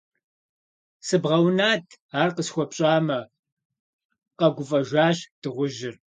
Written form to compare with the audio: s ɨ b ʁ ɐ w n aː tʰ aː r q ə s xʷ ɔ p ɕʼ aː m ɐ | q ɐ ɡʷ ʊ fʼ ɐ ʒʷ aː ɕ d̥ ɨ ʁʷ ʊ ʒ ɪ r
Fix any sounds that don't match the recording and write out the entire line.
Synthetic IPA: s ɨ b ʁ ɐ w n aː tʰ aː r q ə s xʷ ɔ p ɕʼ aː m ɐ | q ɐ ɡʷ ʊ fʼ ɐ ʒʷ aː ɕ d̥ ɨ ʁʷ ʊ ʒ ɪ r